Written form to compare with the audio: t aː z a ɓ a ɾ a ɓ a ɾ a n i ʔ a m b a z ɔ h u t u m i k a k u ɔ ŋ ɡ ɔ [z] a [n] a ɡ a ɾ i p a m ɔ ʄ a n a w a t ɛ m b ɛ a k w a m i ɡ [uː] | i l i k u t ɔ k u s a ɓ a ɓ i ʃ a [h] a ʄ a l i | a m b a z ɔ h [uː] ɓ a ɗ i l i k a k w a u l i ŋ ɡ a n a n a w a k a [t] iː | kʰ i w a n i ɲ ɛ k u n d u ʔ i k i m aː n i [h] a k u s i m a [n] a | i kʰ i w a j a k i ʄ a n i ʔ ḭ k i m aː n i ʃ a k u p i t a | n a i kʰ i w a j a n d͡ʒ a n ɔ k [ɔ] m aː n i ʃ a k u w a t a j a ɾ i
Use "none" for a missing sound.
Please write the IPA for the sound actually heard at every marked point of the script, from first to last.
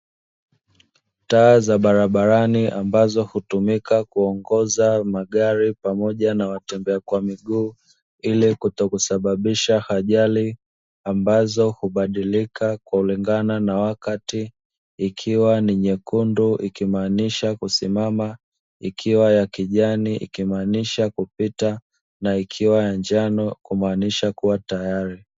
z, m, uː, h, u, t, ʃ, m, u

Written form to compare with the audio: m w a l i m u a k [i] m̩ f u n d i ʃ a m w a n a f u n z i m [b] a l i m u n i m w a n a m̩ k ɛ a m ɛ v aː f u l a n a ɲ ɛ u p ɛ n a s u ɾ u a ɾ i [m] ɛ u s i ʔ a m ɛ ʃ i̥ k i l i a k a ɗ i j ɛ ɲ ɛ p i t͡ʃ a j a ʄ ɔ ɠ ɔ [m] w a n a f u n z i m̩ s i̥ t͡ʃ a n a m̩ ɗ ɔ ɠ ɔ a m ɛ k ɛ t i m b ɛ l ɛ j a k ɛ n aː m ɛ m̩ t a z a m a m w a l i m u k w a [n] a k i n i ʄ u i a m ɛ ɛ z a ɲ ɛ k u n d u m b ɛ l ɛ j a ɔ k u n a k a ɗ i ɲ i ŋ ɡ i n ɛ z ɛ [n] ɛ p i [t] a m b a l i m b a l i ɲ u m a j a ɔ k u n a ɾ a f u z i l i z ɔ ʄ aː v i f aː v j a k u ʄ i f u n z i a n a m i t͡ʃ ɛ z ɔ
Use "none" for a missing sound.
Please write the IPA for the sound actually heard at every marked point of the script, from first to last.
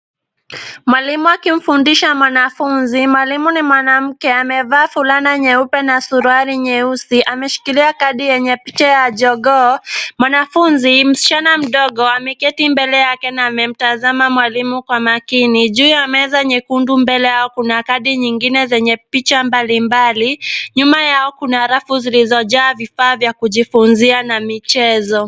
i, w, ɲ, m, m, ɲ, t͡ʃ

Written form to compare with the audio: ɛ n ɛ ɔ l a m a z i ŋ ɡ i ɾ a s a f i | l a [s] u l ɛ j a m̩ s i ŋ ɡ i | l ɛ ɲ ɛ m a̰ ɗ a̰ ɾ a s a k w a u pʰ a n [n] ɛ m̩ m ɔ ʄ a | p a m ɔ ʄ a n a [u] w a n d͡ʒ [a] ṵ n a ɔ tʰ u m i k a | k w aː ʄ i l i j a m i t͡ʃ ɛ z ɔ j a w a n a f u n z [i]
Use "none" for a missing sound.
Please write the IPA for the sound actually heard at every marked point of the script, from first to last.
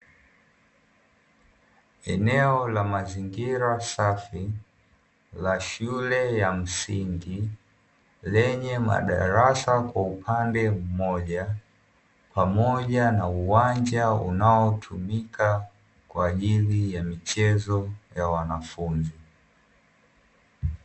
ʃ, d, u, a, i

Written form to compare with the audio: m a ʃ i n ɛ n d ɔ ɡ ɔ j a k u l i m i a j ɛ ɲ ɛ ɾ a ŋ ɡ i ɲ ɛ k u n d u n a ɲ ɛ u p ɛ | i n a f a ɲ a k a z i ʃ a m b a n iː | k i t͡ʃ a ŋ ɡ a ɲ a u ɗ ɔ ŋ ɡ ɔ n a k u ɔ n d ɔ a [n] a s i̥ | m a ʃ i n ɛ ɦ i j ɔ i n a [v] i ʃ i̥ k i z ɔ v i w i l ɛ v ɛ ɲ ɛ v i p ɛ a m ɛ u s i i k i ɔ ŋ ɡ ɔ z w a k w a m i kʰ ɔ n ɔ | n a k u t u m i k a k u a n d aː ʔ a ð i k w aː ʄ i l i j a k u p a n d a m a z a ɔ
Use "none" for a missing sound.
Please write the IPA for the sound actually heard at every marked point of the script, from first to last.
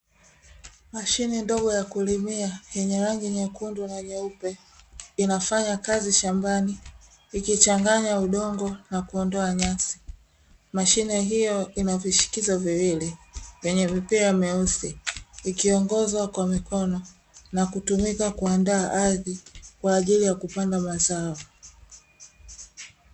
ɲ, v

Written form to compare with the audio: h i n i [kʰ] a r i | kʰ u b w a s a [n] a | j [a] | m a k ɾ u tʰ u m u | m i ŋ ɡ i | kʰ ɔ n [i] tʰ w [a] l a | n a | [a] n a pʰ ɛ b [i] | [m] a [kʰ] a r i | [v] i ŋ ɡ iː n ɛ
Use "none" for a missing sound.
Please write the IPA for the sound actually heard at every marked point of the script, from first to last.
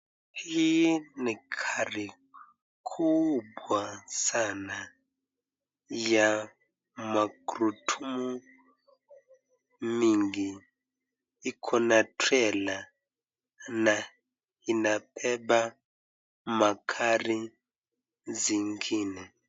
kʰ, n, a, a, ɛ, i, a, m, kʰ, z

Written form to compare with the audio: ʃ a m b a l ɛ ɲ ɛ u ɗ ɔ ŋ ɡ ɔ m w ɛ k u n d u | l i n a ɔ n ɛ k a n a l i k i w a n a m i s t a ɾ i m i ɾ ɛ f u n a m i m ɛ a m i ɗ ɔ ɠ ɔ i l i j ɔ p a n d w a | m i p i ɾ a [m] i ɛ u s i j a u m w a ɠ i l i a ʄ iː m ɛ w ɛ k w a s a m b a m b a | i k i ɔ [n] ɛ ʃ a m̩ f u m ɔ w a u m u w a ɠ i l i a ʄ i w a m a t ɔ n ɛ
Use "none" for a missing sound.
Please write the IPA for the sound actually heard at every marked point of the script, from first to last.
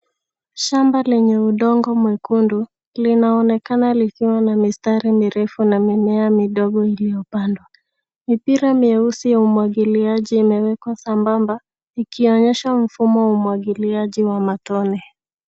m, ɲ

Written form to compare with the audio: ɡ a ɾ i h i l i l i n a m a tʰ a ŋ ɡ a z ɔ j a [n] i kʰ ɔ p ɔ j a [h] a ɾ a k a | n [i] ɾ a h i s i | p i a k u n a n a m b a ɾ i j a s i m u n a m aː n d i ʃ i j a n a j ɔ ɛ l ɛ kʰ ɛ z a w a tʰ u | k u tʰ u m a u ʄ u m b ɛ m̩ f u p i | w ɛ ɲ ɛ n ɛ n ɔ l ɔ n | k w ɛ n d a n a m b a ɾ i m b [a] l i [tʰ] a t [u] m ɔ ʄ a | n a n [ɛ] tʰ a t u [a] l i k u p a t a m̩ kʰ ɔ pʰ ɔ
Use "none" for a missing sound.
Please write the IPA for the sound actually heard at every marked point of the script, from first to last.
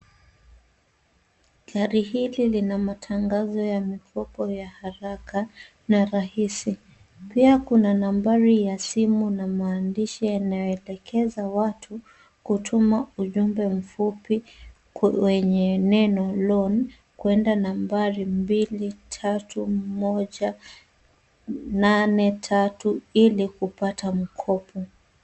m, h, a, i, tʰ, u, ɛ, i

